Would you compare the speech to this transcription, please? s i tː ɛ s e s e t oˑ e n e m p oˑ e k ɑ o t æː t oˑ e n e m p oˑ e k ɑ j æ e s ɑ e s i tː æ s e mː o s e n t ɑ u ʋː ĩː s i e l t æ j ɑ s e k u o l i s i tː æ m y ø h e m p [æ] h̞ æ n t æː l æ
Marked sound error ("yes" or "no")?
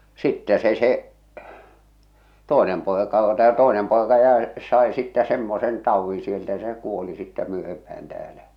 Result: no